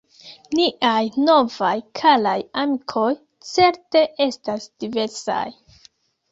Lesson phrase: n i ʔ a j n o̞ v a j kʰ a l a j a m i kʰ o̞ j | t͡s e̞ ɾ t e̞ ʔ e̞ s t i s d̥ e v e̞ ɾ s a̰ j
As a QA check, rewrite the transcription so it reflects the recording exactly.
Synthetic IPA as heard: n i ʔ a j n o̞ v a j kʰ a l a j a m i kʰ o̞ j | t͡s e̞ ɾ t e̞ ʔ e̞ s t a s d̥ i v e̞ ɾ s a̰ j